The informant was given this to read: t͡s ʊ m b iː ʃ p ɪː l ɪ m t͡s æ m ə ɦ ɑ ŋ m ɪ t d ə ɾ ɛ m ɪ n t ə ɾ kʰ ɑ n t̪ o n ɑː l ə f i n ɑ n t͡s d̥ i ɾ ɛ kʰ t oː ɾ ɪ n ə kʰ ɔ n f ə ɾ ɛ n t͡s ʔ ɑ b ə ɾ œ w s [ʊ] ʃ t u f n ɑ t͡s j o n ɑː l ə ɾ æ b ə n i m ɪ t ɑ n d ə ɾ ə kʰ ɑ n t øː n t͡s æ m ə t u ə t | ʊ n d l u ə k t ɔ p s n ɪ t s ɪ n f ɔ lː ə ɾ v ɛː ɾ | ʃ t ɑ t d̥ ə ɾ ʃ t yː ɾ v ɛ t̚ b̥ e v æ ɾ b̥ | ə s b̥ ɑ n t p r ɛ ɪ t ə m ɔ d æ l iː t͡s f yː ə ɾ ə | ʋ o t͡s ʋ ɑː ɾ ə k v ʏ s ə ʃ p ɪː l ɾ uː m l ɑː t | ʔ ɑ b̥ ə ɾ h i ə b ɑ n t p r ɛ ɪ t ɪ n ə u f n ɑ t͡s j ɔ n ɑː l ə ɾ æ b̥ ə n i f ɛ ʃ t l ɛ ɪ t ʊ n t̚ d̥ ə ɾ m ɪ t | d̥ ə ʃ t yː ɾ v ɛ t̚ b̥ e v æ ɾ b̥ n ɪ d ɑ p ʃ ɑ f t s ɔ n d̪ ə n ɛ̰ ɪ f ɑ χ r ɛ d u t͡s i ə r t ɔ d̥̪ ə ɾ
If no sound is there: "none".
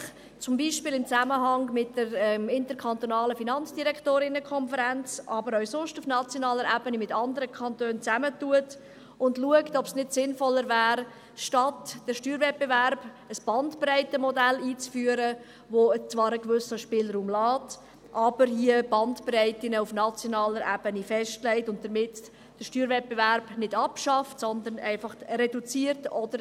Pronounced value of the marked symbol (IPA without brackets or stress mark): ʊ